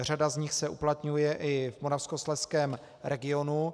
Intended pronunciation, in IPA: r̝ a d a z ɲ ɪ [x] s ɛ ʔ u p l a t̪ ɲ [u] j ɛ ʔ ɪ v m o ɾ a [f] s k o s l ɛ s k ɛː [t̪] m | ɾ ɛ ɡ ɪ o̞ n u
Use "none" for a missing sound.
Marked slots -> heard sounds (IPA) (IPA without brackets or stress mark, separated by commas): x, u, f, none